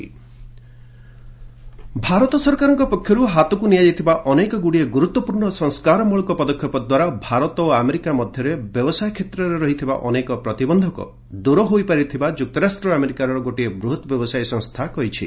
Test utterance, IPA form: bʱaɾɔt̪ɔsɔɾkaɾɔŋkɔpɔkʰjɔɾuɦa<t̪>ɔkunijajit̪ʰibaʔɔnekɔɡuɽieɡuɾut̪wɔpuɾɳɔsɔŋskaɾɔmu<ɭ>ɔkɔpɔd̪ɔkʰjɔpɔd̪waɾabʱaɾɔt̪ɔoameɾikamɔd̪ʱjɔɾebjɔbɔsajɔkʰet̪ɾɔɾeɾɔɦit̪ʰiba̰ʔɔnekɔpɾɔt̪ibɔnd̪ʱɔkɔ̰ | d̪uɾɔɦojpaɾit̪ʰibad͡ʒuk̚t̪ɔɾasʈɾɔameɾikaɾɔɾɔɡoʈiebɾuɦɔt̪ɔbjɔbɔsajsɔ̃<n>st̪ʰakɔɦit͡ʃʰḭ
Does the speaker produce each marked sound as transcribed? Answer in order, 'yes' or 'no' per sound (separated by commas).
yes, yes, no